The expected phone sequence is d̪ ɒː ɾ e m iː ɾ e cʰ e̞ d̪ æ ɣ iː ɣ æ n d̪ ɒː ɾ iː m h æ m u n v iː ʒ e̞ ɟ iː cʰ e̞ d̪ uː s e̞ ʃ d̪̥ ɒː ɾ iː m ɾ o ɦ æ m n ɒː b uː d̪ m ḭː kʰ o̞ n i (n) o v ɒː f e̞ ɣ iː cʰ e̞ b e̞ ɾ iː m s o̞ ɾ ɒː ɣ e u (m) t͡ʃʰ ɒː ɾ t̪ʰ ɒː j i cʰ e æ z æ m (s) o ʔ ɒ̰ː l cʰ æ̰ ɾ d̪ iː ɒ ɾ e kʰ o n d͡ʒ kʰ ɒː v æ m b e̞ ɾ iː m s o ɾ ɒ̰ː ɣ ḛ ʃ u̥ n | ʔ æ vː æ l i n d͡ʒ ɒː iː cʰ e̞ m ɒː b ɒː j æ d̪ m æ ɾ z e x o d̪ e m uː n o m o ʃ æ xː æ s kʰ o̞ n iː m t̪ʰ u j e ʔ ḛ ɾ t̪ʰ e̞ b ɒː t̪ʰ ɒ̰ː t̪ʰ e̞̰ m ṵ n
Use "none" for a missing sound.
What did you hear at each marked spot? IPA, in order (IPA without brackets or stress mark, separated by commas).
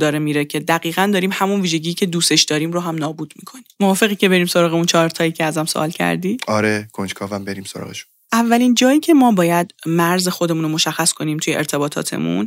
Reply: m, n, s